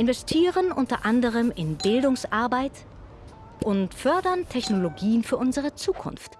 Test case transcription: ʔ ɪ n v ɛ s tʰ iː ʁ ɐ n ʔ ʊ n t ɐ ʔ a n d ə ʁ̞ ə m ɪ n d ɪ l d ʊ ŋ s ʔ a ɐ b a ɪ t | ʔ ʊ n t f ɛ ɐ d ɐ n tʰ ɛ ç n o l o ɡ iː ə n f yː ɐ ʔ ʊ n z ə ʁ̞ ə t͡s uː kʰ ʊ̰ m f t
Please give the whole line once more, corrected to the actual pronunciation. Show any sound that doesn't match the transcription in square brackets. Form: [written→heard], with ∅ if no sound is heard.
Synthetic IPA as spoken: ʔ ɪ n v ɛ s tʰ iː ʁ [ɐ→ə] n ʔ ʊ n t ɐ ʔ a n d ə ʁ̞ ə m ɪ n [d→b] ɪ l d ʊ ŋ s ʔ a ɐ b a ɪ t | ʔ ʊ n t f [ɛ→œ] ɐ d ɐ n tʰ ɛ ç n o l o ɡ iː ə n f yː ɐ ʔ ʊ n z ə ʁ̞ ə t͡s uː kʰ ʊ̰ [m→n] f t

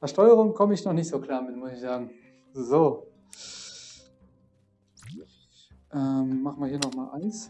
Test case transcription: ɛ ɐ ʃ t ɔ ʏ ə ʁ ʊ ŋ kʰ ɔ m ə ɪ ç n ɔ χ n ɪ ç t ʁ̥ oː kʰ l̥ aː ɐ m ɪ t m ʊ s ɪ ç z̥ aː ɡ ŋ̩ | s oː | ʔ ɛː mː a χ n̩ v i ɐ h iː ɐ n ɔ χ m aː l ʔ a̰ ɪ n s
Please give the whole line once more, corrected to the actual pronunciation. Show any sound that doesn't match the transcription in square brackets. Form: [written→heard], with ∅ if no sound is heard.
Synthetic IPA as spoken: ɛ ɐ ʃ t ɔ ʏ ə ʁ ʊ ŋ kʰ ɔ m ə ɪ ç n ɔ χ n ɪ ç t [ʁ̥→z̥] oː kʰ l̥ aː ɐ m ɪ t m ʊ s ɪ ç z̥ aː ɡ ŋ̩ | [s→z] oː | ʔ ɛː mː a χ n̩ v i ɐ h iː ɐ n ɔ χ m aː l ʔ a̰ ɪ n s

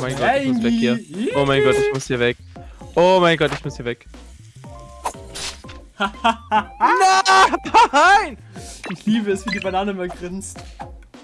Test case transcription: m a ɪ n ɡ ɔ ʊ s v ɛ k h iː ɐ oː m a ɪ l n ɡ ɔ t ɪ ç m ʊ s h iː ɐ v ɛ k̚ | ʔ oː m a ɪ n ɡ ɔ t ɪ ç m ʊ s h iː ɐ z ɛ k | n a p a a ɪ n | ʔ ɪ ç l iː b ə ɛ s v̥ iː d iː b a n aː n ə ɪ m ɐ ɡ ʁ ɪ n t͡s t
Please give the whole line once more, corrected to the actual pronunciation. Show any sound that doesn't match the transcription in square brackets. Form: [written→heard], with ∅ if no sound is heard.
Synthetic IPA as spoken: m a ɪ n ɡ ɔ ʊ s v ɛ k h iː ɐ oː m a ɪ [l→∅] n ɡ ɔ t ɪ ç m ʊ s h iː ɐ v ɛ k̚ | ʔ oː m a ɪ n ɡ ɔ t ɪ ç m ʊ s h iː ɐ [z→v] ɛ k | n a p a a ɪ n | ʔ ɪ ç l iː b ə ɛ s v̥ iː d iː b a n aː n ə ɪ m ɐ ɡ ʁ ɪ n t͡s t

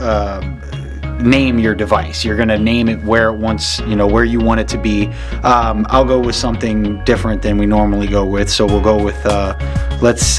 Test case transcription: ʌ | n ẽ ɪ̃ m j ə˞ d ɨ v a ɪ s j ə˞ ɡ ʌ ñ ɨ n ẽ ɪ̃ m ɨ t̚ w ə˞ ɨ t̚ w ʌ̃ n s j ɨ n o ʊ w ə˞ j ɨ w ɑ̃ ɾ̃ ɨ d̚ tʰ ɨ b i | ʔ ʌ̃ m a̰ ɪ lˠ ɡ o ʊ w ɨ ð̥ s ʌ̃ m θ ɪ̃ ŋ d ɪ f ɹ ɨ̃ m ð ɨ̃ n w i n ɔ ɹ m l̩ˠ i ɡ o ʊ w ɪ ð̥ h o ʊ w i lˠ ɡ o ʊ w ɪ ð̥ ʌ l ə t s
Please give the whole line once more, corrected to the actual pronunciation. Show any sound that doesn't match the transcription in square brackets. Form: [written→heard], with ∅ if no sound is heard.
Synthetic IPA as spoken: ʌ | n ẽ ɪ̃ m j ə˞ d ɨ v a ɪ s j ə˞ ɡ ʌ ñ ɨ n ẽ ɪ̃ m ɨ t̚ w ə˞ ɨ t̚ w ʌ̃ n s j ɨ n o ʊ w ə˞ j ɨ w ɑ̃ ɾ̃ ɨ d̚ tʰ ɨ b i | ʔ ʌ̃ m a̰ ɪ lˠ ɡ o ʊ w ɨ ð̥ s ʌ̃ m θ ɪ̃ ŋ d ɪ f ɹ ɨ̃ [m→n] ð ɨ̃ n w i n ɔ ɹ m l̩ˠ i ɡ o ʊ w ɪ ð̥ [h→s] o ʊ w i lˠ ɡ o ʊ w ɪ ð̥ ʌ l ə t s

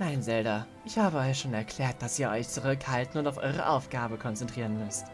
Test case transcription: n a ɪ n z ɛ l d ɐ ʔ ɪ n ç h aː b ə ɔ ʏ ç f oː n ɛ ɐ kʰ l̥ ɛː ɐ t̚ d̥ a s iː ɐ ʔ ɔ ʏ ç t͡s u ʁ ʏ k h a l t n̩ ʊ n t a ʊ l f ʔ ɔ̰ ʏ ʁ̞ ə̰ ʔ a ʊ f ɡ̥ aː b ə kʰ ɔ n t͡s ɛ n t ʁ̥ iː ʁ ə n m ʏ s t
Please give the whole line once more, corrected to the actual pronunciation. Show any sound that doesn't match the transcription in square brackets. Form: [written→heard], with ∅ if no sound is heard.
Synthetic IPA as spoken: n a ɪ n z ɛ l d ɐ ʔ ɪ [n→∅] ç h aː b ə ɔ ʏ ç [f→ʃ] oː n ɛ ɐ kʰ l̥ ɛː ɐ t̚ d̥ a s iː ɐ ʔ ɔ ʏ ç t͡s u ʁ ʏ k h a l t n̩ ʊ n t a ʊ [l→∅] f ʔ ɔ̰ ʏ ʁ̞ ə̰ ʔ a ʊ f ɡ̥ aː b ə kʰ ɔ n t͡s ɛ n t ʁ̥ iː ʁ ə n m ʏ s t

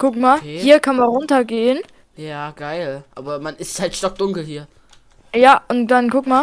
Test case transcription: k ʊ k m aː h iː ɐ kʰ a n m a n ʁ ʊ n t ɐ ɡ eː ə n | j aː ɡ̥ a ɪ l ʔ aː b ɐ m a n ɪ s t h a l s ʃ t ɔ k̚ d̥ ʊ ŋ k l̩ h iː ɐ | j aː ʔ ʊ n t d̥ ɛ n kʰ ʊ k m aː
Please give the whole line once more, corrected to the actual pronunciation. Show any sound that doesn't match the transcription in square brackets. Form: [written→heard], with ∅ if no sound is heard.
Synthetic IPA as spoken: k ʊ k m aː h iː ɐ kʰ a n m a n ʁ ʊ n t ɐ ɡ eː ə n | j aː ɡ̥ a ɪ l ʔ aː b ɐ m a n ɪ s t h a l [s→t] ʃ t ɔ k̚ d̥ ʊ ŋ k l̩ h iː ɐ | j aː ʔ ʊ n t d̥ [ɛ→a] n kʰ ʊ k m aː

